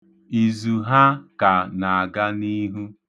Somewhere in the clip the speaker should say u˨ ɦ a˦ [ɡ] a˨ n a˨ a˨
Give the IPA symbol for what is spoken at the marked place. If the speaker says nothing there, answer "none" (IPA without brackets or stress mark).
k